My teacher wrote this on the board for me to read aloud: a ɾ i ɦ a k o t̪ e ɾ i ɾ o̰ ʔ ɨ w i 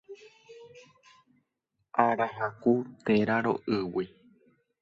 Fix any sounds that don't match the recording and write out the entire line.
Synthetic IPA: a ɾ a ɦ a k u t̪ e ɾ a ɾ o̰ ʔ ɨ w i